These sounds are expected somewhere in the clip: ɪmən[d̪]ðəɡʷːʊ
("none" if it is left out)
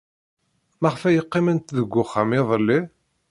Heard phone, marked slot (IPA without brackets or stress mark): t̪